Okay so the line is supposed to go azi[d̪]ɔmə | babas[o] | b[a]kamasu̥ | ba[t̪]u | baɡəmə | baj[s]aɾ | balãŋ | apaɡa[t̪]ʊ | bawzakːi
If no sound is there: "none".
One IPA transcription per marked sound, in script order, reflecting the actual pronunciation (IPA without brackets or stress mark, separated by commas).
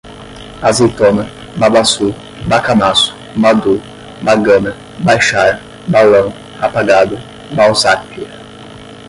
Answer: t̪, u, a, d̪, ʃ, d̪